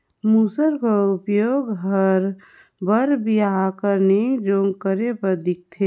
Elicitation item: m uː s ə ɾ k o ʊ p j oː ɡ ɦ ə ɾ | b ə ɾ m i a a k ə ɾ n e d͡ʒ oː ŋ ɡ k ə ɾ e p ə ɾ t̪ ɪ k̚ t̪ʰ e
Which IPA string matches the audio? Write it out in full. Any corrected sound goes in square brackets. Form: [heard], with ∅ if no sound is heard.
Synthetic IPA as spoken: m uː s ə ɾ k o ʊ p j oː ɡ ɦ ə ɾ | b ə ɾ [b] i a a k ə ɾ n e d͡ʒ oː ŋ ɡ k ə ɾ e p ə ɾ [d̪] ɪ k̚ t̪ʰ e

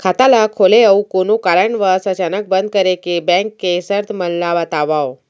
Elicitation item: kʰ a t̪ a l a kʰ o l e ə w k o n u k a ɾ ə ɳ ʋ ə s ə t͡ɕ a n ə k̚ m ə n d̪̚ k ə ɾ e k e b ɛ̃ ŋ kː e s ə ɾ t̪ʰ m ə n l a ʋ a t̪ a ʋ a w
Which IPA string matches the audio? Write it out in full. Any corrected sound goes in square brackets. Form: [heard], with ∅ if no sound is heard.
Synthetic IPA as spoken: kʰ a t̪ a l a kʰ o l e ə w k o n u k a ɾ ə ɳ ʋ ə s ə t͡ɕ a n ə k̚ [b] ə n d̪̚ k ə ɾ e k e b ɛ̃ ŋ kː e s ə ɾ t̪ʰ m ə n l a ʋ a t̪ a ʋ a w

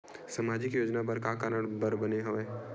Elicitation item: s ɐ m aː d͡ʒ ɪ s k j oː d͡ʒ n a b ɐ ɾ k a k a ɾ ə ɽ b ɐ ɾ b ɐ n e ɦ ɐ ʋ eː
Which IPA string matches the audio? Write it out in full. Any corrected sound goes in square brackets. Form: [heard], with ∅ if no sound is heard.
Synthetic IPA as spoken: s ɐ m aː d͡ʒ ɪ [∅] k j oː d͡ʒ n a b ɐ ɾ k a k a ɾ ə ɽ b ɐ ɾ b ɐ n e ɦ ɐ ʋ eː

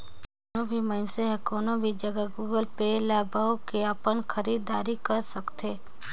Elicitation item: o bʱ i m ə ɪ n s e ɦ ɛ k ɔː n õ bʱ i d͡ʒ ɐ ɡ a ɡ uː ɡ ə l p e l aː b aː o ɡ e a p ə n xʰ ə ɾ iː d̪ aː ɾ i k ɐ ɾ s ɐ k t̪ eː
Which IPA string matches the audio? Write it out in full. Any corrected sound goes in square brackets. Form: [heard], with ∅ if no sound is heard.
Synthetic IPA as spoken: o bʱ i m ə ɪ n s e ɦ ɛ k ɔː n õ bʱ i d͡ʒ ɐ ɡ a ɡ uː ɡ ə l p e l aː b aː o [k] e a p ə n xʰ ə ɾ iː d̪ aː ɾ i k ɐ ɾ s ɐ k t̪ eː

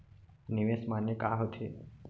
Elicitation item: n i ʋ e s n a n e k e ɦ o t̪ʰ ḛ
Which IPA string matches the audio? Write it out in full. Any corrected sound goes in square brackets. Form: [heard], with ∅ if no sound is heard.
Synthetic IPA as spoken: n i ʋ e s [m] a n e k [a] ɦ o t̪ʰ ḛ

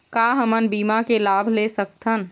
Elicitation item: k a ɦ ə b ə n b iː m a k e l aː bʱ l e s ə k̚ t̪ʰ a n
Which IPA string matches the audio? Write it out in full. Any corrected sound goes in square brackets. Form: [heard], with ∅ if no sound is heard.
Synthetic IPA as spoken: k a ɦ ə [m] ə n b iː m a k e l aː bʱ l e s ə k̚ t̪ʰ [ə] n

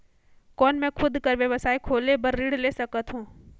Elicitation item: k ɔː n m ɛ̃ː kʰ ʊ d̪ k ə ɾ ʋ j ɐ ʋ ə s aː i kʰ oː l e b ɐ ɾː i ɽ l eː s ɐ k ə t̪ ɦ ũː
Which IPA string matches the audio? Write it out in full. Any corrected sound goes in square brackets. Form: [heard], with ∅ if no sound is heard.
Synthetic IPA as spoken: k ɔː n m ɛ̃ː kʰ ʊ d̪ k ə ɾ ʋ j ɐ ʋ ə s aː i kʰ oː l e b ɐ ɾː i ɽ l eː s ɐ k ə t̪ ɦ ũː

